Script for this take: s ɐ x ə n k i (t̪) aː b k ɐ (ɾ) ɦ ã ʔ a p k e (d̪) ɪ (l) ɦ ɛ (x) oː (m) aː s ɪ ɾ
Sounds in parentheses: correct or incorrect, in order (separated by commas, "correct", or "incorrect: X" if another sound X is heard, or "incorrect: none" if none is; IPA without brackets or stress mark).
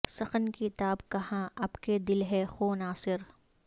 correct, incorrect: none, correct, correct, correct, incorrect: n